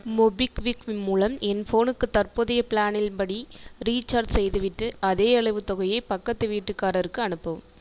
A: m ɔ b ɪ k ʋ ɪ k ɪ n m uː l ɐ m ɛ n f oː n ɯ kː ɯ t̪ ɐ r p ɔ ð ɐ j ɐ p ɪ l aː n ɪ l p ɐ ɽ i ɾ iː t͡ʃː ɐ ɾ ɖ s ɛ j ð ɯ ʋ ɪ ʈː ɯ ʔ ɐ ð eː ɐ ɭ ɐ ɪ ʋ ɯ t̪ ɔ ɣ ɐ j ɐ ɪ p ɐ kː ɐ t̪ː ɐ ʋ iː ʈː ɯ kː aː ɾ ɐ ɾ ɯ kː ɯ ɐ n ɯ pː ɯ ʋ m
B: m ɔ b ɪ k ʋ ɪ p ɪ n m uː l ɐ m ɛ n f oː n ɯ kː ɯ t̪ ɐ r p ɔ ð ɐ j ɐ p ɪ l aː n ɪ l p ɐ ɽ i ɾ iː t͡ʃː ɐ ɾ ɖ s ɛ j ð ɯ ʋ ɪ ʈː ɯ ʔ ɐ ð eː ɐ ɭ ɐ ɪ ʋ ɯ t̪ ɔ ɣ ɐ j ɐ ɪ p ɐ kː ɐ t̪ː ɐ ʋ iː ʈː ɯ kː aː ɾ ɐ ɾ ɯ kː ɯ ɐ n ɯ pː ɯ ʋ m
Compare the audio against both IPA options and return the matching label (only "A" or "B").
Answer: A